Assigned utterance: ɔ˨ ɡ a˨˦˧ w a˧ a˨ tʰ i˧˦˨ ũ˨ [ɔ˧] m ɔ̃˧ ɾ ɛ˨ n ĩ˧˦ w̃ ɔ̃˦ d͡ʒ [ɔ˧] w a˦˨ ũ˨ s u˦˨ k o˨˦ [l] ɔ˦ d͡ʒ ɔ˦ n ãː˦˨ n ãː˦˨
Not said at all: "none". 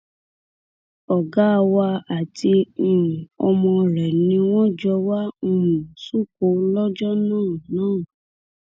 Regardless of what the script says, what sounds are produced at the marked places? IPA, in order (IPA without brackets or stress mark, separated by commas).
ɔ˧, ɔ˧, l